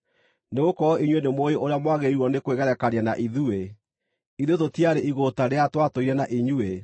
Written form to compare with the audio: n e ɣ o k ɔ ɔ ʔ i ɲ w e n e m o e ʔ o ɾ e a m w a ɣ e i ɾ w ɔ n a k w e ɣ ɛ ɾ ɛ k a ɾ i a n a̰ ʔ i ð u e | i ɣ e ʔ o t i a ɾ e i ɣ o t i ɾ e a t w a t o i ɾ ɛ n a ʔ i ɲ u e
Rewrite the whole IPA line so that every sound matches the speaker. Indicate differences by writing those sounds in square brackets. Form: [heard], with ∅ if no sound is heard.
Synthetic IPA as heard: n e ɣ o k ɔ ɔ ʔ i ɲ w e n e m o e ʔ o ɾ e a m w a ɣ e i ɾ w ɔ n [e] k w e ɣ ɛ ɾ ɛ k a ɾ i a n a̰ ʔ i ð u e | i [ð] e [t] o t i a ɾ e i ɣ o t [a] ɾ e a t w a t o i ɾ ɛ n a ʔ i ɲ u e